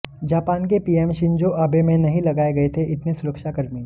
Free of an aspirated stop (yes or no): no